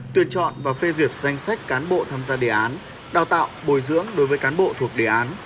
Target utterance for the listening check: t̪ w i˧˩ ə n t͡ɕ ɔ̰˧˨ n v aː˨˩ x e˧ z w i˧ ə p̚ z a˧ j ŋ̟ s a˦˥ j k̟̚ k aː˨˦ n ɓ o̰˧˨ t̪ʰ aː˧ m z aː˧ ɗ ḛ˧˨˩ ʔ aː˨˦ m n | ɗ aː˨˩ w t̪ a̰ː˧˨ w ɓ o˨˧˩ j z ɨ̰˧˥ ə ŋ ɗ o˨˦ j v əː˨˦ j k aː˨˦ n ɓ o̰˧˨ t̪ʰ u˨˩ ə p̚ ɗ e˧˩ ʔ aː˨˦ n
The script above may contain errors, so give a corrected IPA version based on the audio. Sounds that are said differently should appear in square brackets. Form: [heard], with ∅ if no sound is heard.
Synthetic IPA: t̪ w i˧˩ ə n t͡ɕ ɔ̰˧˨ n v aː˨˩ [f] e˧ z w [i˨˩] ə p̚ z a˧ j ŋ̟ s a˦˥ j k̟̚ k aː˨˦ n ɓ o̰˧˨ t̪ʰ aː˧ m z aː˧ ɗ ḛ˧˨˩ ʔ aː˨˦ [∅] n | ɗ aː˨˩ w t̪ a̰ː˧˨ w ɓ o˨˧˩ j z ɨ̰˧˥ ə ŋ ɗ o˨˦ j v əː˨˦ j k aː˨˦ n ɓ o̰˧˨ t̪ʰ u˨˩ ə [k̚] ɗ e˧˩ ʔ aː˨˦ n